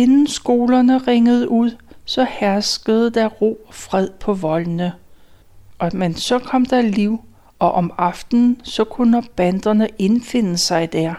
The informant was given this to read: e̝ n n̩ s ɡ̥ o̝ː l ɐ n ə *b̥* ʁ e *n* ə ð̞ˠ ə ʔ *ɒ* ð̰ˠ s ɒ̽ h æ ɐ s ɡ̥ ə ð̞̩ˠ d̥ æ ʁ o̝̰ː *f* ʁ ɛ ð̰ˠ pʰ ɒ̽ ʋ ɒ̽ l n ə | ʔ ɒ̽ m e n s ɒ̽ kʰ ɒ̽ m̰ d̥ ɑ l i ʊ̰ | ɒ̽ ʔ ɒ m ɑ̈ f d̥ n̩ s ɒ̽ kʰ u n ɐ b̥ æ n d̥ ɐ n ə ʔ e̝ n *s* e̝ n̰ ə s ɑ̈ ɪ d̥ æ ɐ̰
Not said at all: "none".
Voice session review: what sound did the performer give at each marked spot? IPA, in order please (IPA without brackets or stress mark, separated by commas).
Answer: none, ŋ, u, f, f